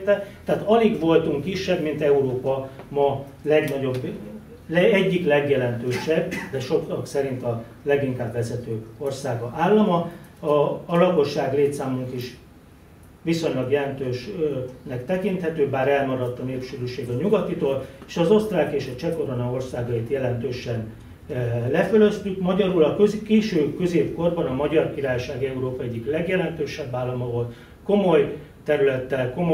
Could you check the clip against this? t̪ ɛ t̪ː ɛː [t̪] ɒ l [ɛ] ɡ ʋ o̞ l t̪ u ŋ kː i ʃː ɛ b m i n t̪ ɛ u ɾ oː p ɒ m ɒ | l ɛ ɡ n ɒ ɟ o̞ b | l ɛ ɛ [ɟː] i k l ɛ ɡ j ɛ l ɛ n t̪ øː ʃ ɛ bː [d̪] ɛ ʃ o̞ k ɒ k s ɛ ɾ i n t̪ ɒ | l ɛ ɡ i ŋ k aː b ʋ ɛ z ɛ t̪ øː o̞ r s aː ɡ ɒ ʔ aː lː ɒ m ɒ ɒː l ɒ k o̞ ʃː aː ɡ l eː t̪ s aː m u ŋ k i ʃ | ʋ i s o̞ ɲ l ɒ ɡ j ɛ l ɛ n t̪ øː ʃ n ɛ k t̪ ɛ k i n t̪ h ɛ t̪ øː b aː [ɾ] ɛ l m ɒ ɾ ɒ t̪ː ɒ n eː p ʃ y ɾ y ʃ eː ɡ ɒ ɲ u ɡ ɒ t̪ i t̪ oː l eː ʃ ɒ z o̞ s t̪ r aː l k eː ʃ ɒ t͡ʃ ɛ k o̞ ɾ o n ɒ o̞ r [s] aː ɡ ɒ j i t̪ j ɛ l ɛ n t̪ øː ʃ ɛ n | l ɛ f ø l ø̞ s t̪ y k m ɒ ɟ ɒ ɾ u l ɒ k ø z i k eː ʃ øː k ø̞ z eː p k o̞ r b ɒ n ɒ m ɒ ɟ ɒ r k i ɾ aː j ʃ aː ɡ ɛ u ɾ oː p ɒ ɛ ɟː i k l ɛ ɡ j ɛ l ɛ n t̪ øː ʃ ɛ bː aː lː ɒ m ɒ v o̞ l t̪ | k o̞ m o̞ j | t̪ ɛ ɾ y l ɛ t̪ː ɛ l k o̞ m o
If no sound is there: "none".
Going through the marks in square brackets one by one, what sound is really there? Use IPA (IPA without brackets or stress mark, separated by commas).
t̪, i, ɟː, d̪, ɾ, s